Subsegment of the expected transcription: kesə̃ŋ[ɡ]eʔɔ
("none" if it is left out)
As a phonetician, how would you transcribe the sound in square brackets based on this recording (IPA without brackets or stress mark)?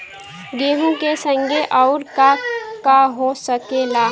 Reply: ɡ